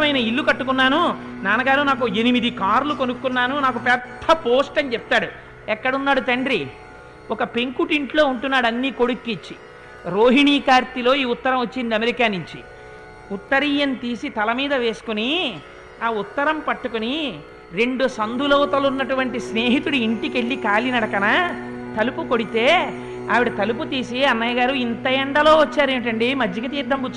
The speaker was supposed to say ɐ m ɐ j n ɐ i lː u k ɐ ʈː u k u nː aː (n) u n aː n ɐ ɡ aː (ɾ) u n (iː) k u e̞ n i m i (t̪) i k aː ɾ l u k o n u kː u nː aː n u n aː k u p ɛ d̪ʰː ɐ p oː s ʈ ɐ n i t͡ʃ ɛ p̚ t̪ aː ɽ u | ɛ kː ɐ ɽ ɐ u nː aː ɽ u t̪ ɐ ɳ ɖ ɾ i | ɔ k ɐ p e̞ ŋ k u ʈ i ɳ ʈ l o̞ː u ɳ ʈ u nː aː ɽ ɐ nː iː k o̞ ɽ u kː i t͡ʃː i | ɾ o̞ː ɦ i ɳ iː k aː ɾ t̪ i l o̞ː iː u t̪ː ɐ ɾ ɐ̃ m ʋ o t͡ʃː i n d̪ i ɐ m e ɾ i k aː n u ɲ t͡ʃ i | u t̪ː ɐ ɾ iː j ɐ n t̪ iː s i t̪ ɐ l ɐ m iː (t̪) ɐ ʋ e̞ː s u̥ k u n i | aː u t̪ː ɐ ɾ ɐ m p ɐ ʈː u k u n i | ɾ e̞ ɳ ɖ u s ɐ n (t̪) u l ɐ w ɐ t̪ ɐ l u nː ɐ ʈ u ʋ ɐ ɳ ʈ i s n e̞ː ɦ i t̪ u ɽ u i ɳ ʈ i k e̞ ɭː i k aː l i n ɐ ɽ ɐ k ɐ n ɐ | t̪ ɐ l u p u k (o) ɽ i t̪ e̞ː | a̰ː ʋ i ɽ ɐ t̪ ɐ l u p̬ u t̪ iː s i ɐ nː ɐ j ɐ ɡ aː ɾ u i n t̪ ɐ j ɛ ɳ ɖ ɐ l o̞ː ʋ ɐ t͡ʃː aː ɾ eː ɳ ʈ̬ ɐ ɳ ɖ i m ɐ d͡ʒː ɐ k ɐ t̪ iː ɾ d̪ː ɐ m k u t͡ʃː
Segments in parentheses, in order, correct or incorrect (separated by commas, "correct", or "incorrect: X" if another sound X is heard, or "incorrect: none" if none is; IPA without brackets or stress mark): correct, correct, incorrect: aː, incorrect: d̪, incorrect: d̪, incorrect: d̪, correct